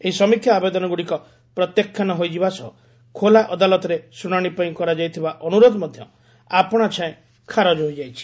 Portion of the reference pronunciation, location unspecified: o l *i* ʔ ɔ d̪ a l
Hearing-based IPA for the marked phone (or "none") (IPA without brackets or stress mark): a